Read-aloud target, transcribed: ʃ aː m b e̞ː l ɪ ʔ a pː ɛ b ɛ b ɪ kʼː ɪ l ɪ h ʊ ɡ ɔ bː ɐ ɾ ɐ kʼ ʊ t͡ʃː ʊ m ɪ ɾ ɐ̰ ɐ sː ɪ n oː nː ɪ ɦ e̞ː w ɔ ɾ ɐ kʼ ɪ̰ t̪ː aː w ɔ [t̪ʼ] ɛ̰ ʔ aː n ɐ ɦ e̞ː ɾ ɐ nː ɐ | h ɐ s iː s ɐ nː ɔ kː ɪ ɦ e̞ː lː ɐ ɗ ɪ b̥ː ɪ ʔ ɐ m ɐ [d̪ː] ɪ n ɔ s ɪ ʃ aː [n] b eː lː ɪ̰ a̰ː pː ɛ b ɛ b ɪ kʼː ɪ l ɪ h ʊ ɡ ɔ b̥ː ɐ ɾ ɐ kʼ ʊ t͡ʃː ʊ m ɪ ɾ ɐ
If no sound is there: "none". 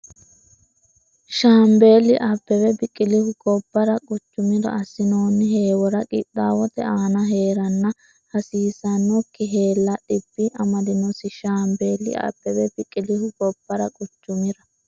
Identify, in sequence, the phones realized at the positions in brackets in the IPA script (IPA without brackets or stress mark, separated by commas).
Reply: t̪, d̪, m